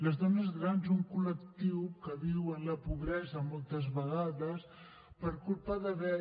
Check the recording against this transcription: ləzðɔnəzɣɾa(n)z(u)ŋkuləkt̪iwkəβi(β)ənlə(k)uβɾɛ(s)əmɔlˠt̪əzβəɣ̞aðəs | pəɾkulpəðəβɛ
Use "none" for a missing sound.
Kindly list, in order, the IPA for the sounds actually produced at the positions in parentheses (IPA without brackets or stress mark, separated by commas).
n, u, w, p, z